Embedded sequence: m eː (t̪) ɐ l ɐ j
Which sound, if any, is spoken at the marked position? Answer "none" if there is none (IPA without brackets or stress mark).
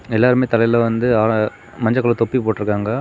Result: t̪